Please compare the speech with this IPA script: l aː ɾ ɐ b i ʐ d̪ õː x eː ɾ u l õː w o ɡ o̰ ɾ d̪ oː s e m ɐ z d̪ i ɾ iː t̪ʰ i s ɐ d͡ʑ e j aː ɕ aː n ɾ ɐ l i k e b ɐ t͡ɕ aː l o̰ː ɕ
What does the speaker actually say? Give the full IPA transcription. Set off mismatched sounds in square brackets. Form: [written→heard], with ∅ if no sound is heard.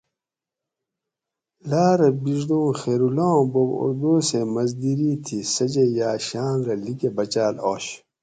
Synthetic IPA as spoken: l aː ɾ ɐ b i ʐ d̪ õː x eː ɾ u l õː [w→b] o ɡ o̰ ɾ d̪ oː s e m ɐ z d̪ i ɾ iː t̪ʰ i s ɐ d͡ʑ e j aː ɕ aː n ɾ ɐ l i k e b ɐ t͡ɕ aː l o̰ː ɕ